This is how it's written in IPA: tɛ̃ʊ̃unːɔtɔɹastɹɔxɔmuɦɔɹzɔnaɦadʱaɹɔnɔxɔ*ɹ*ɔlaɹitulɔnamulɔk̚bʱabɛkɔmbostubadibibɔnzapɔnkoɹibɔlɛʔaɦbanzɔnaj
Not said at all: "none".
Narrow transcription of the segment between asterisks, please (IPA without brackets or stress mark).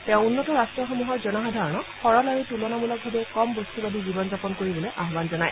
ɹ